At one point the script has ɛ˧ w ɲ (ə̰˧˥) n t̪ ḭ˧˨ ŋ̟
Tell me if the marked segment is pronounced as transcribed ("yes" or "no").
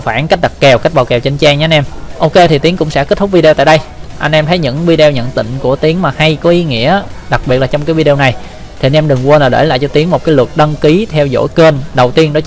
no